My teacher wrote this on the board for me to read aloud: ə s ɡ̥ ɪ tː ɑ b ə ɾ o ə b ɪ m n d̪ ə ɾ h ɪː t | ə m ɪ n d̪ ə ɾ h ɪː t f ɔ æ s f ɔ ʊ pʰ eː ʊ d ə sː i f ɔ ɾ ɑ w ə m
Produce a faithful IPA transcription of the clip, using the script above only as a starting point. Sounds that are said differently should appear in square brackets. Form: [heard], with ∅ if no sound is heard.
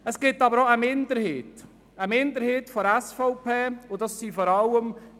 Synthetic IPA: ə s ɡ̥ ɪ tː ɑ b ə ɾ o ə [m] ɪ [∅] n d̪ ə ɾ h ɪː t | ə m ɪ n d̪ ə ɾ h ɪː t f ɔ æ s f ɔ ʊ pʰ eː ʊ d [ɑ] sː i f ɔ ɾ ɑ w ə m